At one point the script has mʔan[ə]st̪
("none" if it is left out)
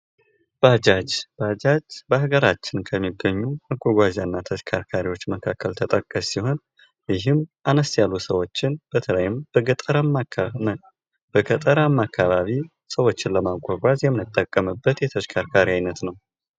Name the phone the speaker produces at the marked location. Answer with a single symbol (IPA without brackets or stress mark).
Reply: ə